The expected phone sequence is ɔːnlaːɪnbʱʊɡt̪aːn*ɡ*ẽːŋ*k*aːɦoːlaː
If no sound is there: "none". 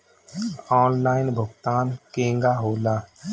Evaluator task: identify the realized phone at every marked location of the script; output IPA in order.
k, ɡ

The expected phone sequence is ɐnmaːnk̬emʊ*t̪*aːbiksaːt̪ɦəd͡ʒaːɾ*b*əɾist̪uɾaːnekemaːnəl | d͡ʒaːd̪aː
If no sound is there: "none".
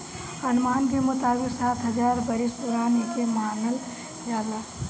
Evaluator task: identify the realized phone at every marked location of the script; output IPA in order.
t̪, b

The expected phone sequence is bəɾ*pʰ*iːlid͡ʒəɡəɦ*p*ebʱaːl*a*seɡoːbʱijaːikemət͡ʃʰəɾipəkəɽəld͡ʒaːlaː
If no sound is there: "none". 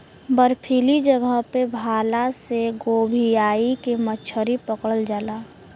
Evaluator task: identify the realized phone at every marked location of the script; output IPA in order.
pʰ, p, a

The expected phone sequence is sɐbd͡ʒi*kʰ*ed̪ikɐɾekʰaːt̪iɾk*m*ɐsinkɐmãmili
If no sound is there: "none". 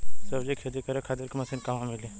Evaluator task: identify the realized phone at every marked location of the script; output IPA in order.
kʰ, m

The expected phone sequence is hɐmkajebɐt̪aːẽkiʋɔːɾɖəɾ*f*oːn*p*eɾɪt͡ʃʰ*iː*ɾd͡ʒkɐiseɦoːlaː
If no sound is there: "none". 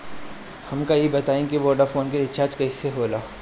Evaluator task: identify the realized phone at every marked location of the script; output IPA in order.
f, k, aː

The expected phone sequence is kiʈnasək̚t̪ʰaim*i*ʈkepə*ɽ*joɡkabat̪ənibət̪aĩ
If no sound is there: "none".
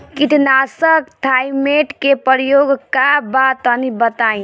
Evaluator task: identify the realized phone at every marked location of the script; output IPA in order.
e, ɾ

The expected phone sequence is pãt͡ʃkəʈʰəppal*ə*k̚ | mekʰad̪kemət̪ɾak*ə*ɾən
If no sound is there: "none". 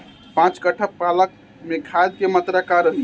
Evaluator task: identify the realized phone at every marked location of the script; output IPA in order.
ə, a

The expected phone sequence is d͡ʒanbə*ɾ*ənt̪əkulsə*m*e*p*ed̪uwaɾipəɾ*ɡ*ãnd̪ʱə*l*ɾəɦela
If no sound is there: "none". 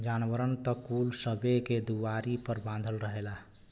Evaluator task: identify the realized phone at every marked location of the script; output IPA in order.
ɾ, b, k, b, l

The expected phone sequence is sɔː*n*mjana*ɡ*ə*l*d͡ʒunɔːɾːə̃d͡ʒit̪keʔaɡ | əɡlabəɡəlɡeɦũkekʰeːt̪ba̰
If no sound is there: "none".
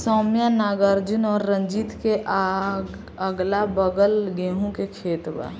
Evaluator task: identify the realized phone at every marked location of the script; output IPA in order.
none, ɡ, ɾ

